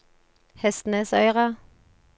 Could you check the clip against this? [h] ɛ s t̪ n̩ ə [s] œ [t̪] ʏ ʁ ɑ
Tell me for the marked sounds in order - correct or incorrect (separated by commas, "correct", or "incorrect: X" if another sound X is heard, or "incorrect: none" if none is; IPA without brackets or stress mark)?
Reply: correct, correct, incorrect: none